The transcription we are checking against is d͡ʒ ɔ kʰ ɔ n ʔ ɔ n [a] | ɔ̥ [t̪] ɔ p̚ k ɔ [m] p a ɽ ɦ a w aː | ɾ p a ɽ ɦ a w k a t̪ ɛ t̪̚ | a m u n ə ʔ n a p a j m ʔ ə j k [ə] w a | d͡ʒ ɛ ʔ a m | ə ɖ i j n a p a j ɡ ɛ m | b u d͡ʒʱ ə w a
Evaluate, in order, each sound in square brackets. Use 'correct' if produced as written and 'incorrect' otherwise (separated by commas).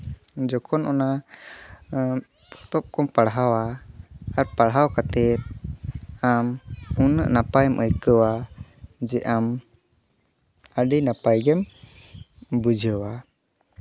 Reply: correct, correct, correct, correct